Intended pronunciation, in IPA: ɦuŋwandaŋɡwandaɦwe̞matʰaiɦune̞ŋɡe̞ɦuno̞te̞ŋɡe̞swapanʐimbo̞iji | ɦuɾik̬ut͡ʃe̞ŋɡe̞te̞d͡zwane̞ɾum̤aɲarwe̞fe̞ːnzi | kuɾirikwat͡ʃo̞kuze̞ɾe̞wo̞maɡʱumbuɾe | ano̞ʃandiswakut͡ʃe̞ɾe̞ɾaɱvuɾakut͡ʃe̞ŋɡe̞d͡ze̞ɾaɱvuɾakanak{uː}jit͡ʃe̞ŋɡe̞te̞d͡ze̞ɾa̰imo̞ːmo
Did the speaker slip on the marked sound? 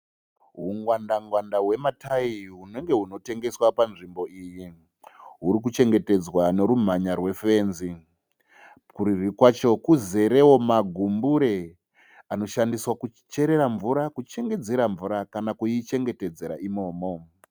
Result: yes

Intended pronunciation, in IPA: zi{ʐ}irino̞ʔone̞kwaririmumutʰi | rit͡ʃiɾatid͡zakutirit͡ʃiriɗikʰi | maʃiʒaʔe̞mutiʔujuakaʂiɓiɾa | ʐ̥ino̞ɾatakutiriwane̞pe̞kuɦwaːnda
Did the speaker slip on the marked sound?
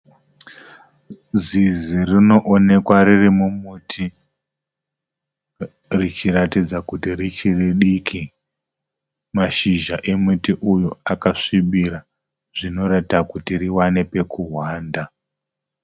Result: yes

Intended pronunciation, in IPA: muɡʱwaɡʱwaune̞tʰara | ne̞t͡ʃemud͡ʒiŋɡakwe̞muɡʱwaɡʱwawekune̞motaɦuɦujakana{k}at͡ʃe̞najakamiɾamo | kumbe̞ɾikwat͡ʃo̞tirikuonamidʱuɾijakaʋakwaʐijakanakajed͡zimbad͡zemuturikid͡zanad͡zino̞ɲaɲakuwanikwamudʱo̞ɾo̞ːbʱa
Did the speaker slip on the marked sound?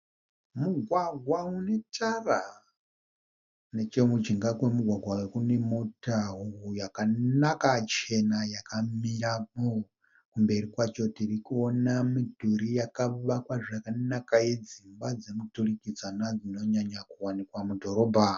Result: no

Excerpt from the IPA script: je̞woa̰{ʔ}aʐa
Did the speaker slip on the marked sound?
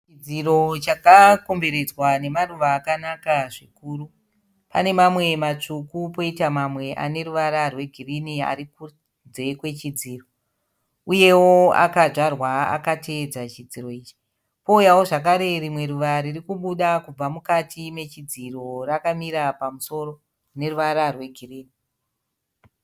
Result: yes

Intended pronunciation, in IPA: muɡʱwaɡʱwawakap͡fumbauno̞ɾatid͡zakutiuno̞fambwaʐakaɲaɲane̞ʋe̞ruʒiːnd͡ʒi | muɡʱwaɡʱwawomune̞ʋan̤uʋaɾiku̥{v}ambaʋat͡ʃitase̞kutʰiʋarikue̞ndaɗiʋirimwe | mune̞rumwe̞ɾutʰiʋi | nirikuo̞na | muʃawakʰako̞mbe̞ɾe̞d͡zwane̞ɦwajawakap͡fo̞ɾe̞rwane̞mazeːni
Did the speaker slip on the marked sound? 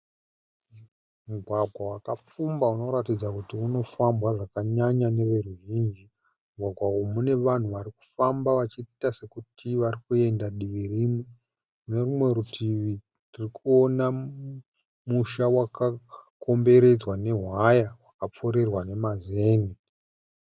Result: yes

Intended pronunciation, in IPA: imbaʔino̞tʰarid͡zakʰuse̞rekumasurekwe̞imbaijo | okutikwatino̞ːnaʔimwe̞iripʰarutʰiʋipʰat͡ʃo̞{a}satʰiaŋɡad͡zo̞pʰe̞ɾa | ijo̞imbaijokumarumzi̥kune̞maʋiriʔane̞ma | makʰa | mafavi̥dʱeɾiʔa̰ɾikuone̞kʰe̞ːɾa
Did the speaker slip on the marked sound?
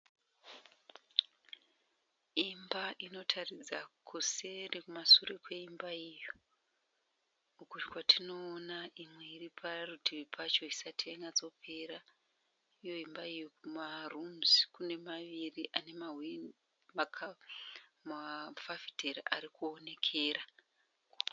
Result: yes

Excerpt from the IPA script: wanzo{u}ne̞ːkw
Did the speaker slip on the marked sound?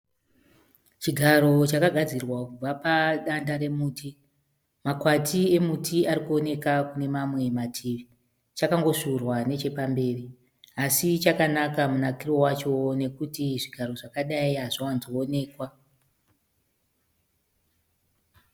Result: yes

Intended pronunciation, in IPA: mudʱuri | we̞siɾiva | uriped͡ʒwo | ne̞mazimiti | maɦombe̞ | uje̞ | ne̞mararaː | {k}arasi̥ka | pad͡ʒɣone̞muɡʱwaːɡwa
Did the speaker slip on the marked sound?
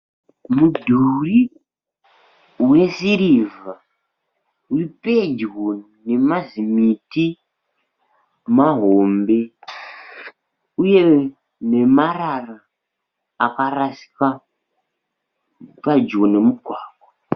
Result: no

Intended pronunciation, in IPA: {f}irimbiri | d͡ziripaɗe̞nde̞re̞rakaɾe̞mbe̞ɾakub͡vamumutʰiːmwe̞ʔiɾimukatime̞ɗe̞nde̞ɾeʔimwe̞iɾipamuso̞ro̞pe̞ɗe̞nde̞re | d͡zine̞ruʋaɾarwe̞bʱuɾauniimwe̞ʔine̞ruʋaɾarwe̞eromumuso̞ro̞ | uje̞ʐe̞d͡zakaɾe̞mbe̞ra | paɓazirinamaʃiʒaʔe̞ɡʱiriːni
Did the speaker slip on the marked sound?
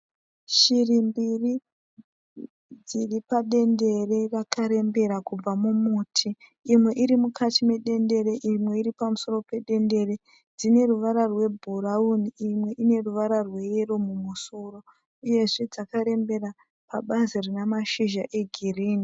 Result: yes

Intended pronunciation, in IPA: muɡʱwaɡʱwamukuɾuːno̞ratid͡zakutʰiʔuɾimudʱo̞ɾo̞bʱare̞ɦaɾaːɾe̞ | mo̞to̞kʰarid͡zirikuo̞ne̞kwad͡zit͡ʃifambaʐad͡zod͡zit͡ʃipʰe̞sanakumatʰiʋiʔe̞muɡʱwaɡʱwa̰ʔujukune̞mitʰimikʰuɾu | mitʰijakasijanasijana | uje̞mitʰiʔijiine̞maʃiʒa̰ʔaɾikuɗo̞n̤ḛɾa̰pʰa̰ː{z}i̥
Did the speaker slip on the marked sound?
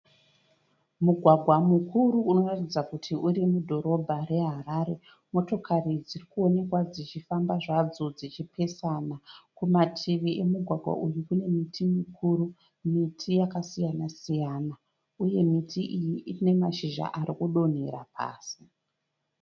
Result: yes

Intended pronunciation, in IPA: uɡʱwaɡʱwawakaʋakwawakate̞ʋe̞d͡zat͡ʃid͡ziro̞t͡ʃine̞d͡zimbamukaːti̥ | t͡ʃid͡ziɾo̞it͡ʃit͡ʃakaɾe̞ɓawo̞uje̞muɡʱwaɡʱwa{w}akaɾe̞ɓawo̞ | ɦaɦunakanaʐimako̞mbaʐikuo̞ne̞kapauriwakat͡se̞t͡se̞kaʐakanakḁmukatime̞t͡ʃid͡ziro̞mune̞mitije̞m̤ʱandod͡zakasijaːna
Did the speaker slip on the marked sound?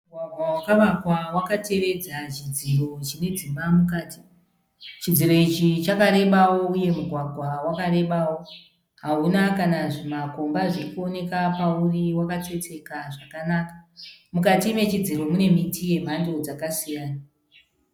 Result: no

